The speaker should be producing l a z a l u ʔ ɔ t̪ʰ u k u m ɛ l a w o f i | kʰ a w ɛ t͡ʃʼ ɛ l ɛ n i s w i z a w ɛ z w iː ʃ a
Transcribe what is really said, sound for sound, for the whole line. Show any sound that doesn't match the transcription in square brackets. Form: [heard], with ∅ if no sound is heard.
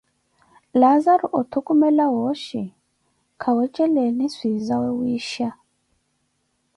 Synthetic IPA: l a z a [ɾ] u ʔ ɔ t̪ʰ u k u m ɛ l a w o [ʃ] i | kʰ a w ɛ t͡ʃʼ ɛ l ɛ n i s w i z a w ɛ [∅] w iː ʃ a